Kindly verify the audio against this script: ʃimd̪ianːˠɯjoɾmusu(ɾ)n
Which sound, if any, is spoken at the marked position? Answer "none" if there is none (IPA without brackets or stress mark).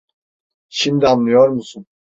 none